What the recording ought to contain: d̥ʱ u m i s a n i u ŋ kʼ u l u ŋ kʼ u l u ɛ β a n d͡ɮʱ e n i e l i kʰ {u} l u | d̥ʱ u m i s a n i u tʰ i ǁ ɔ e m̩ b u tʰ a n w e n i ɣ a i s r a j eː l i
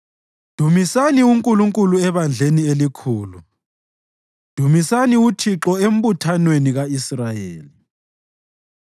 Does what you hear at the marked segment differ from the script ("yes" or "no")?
yes